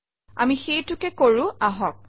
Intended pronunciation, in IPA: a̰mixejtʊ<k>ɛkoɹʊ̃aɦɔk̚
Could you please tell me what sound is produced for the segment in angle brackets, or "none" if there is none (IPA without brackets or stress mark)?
k